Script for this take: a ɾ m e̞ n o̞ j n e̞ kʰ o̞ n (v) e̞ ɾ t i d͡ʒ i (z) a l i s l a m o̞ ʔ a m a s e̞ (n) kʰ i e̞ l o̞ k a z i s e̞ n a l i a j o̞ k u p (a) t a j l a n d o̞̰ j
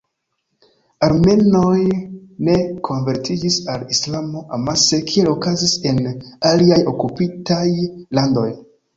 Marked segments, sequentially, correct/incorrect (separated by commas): correct, incorrect, incorrect, incorrect